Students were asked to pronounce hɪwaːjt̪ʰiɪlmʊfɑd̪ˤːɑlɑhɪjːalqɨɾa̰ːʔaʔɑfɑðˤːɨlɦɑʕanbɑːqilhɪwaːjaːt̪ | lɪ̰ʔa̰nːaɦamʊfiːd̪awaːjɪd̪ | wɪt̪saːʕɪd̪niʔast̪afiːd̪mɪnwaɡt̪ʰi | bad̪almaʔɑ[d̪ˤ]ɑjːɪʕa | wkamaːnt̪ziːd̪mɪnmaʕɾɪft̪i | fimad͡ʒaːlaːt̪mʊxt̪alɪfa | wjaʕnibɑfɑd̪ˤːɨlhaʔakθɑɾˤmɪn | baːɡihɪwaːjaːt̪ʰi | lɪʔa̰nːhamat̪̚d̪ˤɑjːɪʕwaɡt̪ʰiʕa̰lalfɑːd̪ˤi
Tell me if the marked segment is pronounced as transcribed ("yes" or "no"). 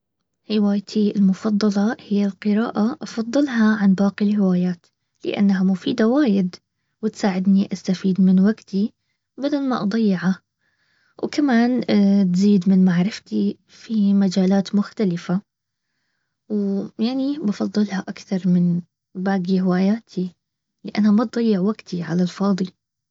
yes